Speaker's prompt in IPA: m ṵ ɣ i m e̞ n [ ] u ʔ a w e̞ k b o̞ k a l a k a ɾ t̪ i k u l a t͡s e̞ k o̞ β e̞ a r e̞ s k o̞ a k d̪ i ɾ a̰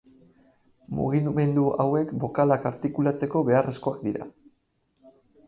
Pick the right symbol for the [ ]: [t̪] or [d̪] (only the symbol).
d̪